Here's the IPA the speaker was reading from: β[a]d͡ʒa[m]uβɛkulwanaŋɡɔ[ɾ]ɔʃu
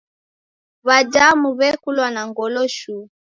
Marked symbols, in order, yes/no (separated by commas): yes, yes, no